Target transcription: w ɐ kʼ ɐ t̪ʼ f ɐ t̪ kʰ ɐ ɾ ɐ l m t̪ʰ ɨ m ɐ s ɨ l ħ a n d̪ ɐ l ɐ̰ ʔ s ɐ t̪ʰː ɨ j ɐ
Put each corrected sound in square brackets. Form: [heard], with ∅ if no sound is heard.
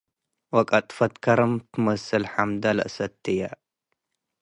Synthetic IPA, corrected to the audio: w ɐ kʼ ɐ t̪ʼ f ɐ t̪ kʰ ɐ ɾ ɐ [∅] m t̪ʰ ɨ m ɐ s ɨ l ħ a [m] d̪ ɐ l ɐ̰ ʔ s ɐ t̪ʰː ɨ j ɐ